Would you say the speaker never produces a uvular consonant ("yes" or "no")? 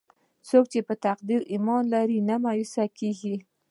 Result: no